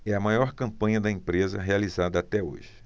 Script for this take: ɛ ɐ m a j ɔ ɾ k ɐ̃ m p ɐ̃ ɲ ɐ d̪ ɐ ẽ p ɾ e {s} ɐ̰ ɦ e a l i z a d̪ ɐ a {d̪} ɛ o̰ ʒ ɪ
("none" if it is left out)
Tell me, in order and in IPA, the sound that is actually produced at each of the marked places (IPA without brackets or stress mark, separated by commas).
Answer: z, t̪